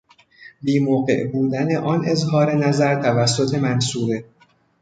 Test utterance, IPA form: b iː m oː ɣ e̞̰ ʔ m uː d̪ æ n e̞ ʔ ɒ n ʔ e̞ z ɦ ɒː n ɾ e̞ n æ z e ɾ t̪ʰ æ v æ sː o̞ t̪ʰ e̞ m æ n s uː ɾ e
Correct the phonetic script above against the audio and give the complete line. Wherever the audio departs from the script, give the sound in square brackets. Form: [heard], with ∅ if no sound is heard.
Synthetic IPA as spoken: b iː m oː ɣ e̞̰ ʔ [b] uː d̪ æ n e̞ ʔ ɒ n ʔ e̞ z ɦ ɒː [∅] ɾ e̞ n æ z [æ] ɾ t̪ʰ æ v æ sː o̞ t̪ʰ e̞ m æ n s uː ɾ e